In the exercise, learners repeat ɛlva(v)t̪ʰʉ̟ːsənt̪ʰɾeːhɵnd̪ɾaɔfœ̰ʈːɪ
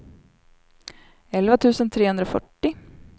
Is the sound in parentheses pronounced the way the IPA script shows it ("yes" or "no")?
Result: no